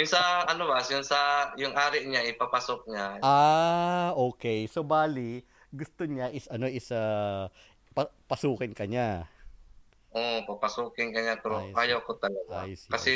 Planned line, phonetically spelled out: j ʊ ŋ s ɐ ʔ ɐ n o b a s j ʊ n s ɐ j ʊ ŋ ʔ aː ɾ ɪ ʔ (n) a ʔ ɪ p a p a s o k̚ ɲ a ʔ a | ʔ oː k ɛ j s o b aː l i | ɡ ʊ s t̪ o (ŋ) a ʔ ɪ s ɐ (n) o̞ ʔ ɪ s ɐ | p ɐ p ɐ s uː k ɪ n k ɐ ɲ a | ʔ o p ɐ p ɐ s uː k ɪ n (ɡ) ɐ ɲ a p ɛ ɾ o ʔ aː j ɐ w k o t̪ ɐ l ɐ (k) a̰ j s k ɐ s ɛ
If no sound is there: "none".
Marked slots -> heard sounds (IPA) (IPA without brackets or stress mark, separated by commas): ɲ, ɲ, n, k, ɡ